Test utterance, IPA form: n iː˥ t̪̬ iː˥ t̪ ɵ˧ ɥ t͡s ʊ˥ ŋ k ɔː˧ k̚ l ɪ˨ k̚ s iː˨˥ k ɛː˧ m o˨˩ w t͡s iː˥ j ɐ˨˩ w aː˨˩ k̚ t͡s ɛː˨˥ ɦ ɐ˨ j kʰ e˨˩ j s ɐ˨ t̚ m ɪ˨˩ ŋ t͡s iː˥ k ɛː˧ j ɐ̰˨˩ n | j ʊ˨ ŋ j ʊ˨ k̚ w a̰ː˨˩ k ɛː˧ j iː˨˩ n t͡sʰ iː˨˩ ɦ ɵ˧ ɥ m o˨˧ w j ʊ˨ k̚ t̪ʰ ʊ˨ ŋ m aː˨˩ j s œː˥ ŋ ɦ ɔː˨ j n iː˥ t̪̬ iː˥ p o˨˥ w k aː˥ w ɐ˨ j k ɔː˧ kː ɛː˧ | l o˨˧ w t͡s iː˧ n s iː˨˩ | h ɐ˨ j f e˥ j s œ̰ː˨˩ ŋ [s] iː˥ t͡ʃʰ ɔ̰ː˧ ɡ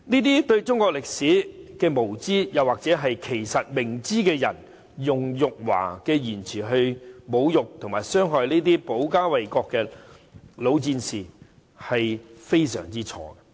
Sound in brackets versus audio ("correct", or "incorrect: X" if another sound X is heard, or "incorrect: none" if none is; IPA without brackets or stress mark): incorrect: t͡s